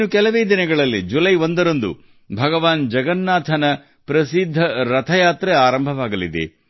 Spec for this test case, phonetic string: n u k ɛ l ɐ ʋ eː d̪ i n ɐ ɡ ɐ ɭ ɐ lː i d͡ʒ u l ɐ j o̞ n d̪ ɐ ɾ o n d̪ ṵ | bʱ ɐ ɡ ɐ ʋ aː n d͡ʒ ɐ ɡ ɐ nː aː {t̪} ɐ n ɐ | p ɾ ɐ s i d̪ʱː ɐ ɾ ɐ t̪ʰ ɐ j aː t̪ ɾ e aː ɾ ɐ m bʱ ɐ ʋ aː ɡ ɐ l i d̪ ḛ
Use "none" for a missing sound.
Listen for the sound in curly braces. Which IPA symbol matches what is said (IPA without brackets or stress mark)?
t̪ʰ